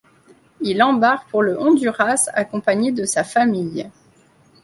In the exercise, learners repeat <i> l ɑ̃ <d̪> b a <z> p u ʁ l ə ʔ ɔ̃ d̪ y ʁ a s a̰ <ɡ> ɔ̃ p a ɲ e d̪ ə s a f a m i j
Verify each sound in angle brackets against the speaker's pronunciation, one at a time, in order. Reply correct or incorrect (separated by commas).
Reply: correct, incorrect, incorrect, incorrect